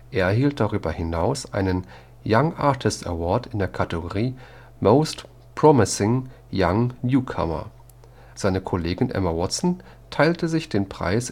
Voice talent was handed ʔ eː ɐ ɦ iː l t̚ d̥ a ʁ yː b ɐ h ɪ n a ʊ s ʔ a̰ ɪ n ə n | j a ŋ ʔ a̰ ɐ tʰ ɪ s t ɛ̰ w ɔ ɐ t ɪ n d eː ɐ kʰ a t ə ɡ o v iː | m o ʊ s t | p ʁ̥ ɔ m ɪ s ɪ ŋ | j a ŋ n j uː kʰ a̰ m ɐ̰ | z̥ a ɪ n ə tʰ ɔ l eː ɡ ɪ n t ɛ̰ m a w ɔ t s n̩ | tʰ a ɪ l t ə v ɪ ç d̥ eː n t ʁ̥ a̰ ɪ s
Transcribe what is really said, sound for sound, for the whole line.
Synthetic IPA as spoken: ʔ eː ɐ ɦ iː l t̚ d̥ a ʁ yː b ɐ h ɪ n a ʊ s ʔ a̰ ɪ n ə n | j a ŋ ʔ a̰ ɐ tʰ ɪ s t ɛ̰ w ɔ ɐ t ɪ n d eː ɐ kʰ a t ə ɡ o ʁ iː | m o ʊ s t | p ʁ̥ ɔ m ɪ s ɪ ŋ | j a ŋ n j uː kʰ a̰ m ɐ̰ | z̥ a ɪ n ə kʰ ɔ l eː ɡ ɪ n ʔ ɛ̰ m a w ɔ t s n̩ | tʰ a ɪ l t ə z ɪ ç d̥ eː n p ʁ̥ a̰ ɪ s